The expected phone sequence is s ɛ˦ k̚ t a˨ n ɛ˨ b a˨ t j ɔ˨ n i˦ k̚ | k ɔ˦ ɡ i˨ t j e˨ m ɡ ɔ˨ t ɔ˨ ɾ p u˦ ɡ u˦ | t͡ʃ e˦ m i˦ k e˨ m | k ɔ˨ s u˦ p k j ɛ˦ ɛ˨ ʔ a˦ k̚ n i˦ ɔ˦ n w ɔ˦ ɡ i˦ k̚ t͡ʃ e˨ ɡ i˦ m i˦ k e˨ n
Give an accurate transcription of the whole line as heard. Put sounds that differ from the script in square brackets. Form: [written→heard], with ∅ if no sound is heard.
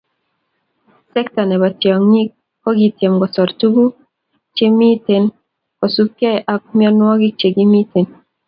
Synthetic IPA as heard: s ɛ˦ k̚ t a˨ n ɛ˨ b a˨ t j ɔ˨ [n→ŋ] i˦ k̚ | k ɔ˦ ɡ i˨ t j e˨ m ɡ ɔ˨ [t→s] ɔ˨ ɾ [p→t] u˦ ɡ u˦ | t͡ʃ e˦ m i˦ [k→t] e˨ [m→n] | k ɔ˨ s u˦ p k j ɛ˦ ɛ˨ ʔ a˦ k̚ [n→m] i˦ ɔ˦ n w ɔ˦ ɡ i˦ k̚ t͡ʃ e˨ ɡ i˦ m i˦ [k→t] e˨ n